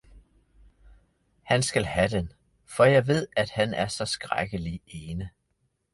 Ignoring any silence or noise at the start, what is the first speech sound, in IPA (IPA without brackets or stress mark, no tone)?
h